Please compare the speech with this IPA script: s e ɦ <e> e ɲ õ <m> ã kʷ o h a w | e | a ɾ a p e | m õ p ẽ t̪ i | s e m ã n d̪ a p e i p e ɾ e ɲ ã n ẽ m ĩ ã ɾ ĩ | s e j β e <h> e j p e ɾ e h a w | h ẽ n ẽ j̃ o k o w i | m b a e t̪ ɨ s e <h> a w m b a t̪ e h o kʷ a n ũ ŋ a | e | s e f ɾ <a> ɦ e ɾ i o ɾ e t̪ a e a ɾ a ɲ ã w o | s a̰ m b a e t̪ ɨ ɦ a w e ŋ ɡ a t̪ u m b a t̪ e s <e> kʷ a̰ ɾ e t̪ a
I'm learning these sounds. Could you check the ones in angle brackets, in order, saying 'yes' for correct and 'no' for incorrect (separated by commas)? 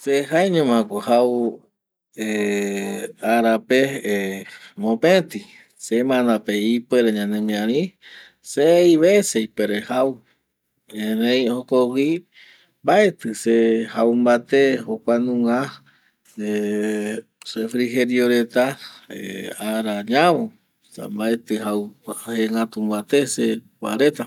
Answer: no, yes, no, yes, no, yes